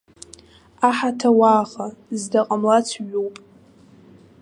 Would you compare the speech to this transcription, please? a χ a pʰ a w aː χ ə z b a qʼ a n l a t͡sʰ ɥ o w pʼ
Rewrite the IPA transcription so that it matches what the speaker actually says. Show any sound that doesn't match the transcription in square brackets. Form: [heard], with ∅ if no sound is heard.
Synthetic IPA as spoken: a [ħ] a [tʰ] a w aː χ [a] z [d] a qʼ a [m] l a t͡sʰ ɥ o w pʼ